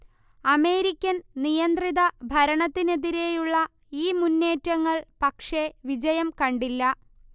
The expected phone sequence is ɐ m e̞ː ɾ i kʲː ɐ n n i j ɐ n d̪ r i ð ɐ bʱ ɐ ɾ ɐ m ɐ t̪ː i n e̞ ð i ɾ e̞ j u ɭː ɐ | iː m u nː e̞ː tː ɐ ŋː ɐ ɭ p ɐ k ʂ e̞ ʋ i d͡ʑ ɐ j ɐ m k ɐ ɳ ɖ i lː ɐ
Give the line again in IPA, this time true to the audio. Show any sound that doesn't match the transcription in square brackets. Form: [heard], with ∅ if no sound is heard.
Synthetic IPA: ɐ m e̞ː ɾ i kʲː ɐ n n i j ɐ n d̪ r i ð ɐ bʱ ɐ ɾ ɐ [ɳ] ɐ t̪ː i n e̞ ð i ɾ e̞ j u ɭː ɐ | iː m u nː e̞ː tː ɐ ŋː ɐ ɭ p ɐ k ʂ e̞ ʋ i d͡ʑ ɐ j ɐ m k ɐ ɳ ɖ i lː ɐ

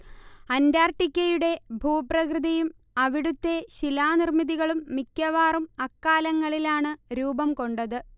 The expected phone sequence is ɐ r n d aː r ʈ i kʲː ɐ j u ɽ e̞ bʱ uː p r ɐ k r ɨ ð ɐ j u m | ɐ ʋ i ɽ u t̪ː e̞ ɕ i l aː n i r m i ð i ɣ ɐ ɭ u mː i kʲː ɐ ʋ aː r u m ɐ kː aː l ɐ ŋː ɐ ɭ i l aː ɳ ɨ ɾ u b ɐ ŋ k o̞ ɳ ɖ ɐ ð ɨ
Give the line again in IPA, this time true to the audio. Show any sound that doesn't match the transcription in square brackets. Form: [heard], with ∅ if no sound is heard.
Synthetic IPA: ɐ [∅] n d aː r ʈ i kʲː ɐ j u ɽ e̞ bʱ uː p r ɐ k r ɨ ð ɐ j u m | ɐ ʋ i ɽ u t̪ː e̞ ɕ i l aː n i r m i ð i ɣ ɐ ɭ u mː i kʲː ɐ ʋ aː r u m ɐ kː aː l ɐ ŋː ɐ ɭ i l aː ɳ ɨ ɾ [uː] b ɐ [m] k o̞ ɳ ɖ ɐ ð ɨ

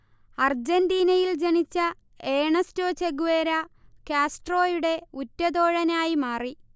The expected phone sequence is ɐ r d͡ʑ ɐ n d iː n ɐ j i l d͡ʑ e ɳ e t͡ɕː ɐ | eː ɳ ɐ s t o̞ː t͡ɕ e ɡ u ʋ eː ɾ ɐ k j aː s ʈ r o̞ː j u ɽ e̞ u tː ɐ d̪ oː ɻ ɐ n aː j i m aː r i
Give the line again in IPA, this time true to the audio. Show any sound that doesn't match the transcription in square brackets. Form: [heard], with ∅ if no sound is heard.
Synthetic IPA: ɐ r d͡ʑ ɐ n d iː n ɐ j i l d͡ʑ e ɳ [i] t͡ɕː ɐ | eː ɳ ɐ s t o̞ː t͡ɕ e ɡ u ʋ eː ɾ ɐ k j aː s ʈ r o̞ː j u ɽ e̞ u tː ɐ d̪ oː ɻ ɐ n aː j i m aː r i

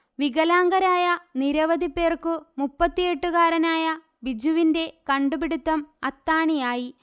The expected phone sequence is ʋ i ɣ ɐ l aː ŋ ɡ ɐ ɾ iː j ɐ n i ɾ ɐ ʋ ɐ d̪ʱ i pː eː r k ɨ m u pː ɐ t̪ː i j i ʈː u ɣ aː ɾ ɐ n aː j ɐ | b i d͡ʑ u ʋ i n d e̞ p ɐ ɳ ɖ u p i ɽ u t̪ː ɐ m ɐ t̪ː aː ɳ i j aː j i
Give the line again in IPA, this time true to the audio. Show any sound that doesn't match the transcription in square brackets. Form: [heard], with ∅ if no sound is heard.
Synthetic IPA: ʋ i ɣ ɐ l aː ŋ ɡ ɐ ɾ [aː] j ɐ n i ɾ ɐ ʋ ɐ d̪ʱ i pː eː r k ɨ m u pː ɐ t̪ː i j [e] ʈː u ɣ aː ɾ ɐ n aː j ɐ | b i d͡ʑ u ʋ i n d e̞ [k] ɐ ɳ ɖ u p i ɽ u t̪ː ɐ m ɐ t̪ː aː ɳ i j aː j i

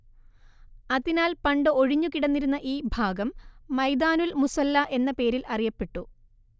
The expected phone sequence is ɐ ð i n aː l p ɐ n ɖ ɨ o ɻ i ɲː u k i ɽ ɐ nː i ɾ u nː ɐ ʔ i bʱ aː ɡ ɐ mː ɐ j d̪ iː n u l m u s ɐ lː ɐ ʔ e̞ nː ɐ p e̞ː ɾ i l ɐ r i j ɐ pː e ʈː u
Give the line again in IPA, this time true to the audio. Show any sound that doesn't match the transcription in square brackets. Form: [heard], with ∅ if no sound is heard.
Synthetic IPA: ɐ ð i n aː l p ɐ [ɳ] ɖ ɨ o ɻ i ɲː u k i ɽ ɐ nː i ɾ u nː ɐ ʔ [iː] bʱ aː ɡ ɐ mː ɐ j d̪ [aː] n u l m u s ɐ lː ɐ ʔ e̞ nː ɐ p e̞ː ɾ i l ɐ r i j ɐ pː e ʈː u

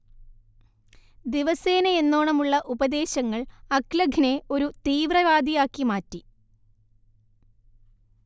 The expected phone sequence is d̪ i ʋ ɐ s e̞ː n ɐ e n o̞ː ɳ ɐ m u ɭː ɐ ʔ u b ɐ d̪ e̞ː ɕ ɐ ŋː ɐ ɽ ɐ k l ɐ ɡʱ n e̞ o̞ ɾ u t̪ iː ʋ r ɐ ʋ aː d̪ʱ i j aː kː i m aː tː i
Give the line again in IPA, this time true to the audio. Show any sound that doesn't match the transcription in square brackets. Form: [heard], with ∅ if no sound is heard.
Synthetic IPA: d̪ i ʋ ɐ s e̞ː n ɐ e [nː] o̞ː ɳ ɐ m u ɭː ɐ ʔ u b ɐ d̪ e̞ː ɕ ɐ ŋː ɐ [ɭ] ɐ k l ɐ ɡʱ n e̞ o̞ ɾ u t̪ iː ʋ r ɐ ʋ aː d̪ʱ i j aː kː i m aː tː i

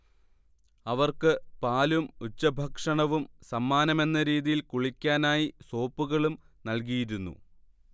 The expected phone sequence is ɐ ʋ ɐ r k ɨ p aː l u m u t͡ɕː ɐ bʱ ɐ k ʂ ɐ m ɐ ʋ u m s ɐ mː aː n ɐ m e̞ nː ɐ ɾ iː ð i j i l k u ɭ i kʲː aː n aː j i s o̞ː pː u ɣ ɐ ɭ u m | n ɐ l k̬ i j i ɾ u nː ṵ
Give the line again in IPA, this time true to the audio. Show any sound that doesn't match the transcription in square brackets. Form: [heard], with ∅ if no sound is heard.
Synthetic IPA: ɐ ʋ ɐ r k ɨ p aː l u m u t͡ɕː ɐ bʱ ɐ k ʂ ɐ [ɳ] ɐ ʋ u m s ɐ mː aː n ɐ m e̞ nː ɐ ɾ iː ð i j i l k u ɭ i kʲː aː n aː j i s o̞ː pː u ɣ ɐ ɭ u m | n ɐ l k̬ i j i ɾ u nː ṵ

